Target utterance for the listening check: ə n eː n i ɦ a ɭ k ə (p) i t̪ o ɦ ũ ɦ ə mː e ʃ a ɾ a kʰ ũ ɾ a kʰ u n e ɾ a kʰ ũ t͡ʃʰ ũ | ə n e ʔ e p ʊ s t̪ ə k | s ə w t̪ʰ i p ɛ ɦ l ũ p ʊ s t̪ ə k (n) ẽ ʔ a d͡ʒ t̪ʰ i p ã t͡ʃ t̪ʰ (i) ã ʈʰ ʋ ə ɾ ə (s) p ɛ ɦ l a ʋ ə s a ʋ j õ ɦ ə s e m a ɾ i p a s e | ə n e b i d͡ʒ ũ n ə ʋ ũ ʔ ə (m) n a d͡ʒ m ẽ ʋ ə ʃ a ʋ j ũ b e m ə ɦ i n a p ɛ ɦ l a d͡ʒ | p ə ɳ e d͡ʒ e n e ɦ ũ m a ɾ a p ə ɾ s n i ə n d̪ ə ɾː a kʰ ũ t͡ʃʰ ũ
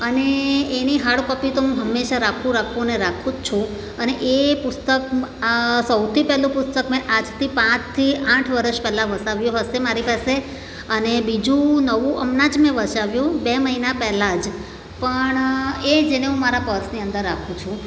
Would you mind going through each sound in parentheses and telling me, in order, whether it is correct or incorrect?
correct, incorrect: m, correct, incorrect: ʃ, correct

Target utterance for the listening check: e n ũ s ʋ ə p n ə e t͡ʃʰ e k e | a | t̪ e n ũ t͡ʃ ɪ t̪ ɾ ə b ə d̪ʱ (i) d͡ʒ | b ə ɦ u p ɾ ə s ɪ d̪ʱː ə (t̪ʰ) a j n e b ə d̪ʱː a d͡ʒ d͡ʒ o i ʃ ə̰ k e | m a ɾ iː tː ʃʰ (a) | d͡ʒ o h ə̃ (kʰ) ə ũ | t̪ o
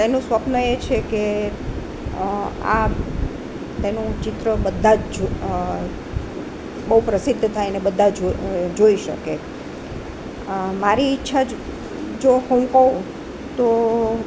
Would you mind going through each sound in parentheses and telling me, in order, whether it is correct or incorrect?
incorrect: a, correct, correct, incorrect: k

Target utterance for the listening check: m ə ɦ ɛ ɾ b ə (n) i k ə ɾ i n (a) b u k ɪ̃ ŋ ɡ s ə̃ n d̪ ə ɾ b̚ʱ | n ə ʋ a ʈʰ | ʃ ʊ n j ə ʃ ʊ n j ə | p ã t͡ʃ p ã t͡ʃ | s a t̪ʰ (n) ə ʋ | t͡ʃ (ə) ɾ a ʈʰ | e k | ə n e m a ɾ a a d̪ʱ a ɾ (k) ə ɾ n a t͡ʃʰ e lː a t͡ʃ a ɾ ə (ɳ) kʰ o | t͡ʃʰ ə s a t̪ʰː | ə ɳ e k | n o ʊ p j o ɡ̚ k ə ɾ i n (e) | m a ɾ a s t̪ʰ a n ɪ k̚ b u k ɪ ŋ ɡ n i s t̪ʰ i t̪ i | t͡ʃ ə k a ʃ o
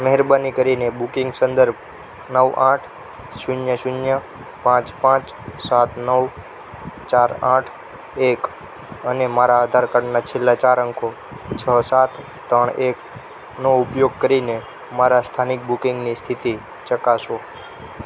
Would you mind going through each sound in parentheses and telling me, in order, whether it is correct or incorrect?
correct, incorrect: e, correct, incorrect: a, correct, incorrect: ŋ, correct

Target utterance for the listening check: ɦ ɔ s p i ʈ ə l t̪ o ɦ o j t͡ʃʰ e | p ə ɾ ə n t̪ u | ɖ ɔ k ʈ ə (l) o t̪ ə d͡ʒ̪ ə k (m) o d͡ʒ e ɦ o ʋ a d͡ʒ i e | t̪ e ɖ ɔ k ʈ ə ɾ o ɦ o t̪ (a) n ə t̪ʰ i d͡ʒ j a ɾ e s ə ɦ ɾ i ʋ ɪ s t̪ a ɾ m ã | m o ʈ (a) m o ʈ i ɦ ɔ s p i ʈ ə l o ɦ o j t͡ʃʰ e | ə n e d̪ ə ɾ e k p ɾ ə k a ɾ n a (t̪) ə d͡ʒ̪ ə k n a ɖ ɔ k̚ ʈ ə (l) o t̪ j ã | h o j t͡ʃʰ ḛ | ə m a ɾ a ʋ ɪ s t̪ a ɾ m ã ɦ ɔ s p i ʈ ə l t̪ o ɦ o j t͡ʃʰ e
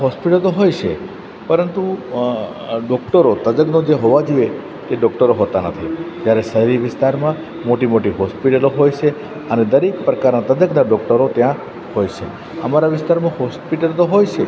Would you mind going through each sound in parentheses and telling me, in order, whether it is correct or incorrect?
incorrect: ɾ, incorrect: n, correct, incorrect: i, correct, incorrect: ɾ

